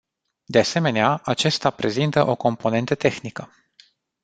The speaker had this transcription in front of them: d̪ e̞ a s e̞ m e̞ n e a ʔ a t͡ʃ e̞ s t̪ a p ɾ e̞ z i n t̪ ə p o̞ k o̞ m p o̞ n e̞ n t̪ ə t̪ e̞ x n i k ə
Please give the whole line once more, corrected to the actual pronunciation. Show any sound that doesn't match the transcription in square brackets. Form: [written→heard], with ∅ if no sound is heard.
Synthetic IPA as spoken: d̪ e̞ a s e̞ m e̞ n e a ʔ a t͡ʃ e̞ s t̪ a p ɾ e̞ z i n t̪ ə [p→ʔ] o̞ k o̞ m p o̞ n e̞ n t̪ ə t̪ e̞ x n i k ə